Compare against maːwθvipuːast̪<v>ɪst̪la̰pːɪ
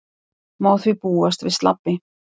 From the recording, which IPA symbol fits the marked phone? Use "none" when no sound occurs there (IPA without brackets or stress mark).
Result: v